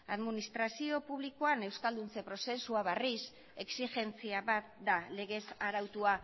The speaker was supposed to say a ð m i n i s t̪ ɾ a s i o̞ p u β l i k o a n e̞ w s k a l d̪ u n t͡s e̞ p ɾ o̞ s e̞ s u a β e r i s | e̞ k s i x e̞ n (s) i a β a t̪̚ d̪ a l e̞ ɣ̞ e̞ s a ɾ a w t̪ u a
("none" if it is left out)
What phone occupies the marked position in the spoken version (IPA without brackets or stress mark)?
t͡s